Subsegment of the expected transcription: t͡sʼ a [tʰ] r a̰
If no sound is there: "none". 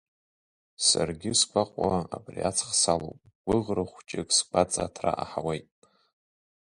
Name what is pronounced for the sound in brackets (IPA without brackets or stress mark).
tʰ